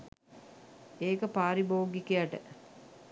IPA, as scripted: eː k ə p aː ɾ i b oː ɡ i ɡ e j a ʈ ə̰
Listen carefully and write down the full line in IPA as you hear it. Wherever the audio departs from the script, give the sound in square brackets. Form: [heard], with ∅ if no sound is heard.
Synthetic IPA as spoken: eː k ə p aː ɾ i b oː ɡ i [k] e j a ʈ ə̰

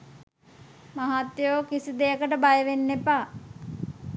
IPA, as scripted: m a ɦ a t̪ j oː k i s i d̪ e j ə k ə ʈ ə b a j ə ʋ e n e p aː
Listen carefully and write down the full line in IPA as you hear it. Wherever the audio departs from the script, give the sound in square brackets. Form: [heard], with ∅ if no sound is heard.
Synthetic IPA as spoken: m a ɦ a t̪ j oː k i s i d̪ e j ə k ə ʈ ə b a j ə ʋ e [nː] e p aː

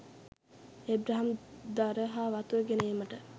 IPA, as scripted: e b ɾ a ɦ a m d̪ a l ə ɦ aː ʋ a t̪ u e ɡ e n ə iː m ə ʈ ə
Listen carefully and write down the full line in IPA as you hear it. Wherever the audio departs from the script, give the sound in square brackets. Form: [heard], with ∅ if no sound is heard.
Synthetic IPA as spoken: e b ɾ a ɦ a m d̪ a [ɾ] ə ɦ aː ʋ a t̪ u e ɡ e n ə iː m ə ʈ ə

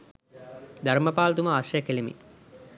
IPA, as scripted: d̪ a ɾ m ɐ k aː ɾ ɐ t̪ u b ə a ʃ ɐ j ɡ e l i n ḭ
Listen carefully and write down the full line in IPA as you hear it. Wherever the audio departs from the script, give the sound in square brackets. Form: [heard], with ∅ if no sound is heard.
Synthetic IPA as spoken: d̪ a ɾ m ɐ [p] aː [l] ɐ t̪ u [m] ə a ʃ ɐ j [k] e l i [m] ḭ

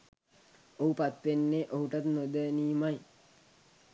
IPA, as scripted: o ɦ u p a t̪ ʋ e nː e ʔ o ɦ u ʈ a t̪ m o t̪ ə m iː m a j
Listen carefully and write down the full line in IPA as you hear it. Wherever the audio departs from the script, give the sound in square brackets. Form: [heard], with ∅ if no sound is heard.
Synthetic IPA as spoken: o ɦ u p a t̪ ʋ e nː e ʔ o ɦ u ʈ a t̪ [n] o [d̪] ə [n] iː m a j

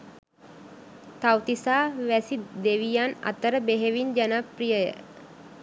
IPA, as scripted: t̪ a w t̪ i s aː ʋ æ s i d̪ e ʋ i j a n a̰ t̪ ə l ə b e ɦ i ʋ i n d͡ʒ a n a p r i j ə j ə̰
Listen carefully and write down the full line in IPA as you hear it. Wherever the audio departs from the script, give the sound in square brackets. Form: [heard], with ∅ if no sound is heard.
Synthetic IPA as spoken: t̪ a w t̪ i s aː ʋ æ s i d̪ e ʋ i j a n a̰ t̪ ə [ɾ] ə b e ɦ [e] ʋ i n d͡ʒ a n a p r i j ə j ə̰

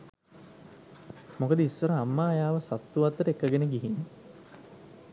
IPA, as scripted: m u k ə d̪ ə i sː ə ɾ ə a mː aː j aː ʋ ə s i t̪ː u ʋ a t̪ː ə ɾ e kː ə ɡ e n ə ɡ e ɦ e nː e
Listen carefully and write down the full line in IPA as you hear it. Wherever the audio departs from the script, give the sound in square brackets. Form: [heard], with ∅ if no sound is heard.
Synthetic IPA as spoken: m [o] k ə d̪ ə i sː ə ɾ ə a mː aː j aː ʋ ə s [a] t̪ː u ʋ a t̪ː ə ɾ e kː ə ɡ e n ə ɡ [i] ɦ [i] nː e

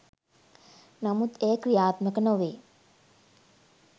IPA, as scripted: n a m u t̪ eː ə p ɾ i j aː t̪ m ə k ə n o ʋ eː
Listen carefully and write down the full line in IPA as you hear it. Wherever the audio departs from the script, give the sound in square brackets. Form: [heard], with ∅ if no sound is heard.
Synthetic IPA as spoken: n a m u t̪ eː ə [k] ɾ i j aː t̪ m ə k ə n o ʋ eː

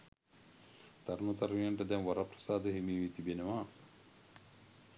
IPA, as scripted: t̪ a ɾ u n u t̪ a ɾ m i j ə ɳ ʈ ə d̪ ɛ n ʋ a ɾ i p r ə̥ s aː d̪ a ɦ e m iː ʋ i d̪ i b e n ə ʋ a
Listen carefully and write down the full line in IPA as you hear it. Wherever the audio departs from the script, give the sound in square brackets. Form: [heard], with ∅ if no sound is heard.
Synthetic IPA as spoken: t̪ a ɾ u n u t̪ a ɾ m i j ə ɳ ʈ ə d̪ ɛ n ʋ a ɾ [a] p r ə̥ s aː d̪ [ə] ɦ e m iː ʋ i [t̪] i b e n ə ʋ a

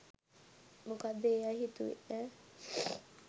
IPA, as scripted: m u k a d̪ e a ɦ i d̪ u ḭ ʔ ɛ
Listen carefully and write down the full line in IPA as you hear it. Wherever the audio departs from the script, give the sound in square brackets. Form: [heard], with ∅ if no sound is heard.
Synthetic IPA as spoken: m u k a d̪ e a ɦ i [t̪] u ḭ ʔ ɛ

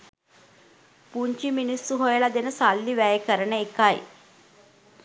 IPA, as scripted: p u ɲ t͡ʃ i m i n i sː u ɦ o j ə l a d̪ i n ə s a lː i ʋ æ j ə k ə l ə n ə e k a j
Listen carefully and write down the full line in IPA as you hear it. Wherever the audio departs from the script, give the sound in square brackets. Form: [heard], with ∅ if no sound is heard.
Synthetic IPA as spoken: p u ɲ t͡ʃ i m i n i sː u ɦ o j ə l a d̪ [e] n ə s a lː i ʋ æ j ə k ə [ɾ] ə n ə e k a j

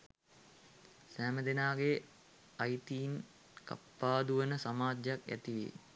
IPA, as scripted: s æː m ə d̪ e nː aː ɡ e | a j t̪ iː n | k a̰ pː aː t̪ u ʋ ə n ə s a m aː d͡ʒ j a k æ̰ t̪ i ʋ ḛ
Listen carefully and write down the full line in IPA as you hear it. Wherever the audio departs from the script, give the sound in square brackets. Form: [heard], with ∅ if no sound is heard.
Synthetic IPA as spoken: s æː m ə d̪ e [n] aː ɡ e | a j t̪ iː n | k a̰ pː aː [d̪] u ʋ ə n ə s a m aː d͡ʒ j a k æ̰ t̪ i ʋ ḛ

